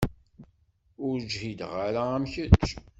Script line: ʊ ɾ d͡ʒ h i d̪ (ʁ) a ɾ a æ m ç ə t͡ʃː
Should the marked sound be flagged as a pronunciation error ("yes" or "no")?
no